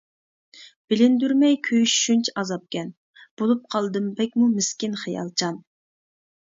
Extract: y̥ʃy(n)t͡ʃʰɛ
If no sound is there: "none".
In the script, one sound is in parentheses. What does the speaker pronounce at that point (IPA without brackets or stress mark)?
n